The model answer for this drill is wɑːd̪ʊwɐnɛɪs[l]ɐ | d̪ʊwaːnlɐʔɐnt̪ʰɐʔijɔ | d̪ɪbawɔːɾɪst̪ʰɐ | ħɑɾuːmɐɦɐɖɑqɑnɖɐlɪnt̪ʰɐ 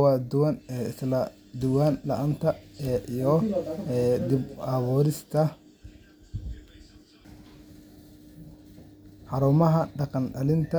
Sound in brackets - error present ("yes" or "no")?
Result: no